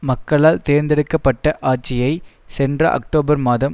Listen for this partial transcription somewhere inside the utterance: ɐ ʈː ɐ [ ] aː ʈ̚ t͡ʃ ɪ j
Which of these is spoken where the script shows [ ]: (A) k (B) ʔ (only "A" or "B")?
B